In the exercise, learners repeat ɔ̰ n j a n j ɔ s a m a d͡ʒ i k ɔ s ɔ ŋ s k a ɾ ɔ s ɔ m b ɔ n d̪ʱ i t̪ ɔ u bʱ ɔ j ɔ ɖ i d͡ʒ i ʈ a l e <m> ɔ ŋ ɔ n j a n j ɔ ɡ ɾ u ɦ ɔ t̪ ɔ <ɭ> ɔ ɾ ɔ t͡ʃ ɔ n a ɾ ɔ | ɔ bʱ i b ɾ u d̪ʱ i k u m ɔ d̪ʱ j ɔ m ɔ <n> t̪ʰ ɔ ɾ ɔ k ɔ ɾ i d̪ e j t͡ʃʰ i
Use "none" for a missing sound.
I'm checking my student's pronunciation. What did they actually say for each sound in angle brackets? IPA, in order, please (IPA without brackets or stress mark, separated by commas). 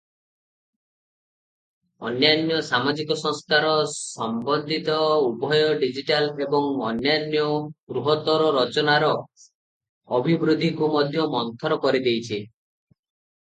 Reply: b, ɾ, n